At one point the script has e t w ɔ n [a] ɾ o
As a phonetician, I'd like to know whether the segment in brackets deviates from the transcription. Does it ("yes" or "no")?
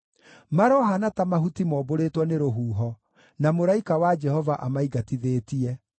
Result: yes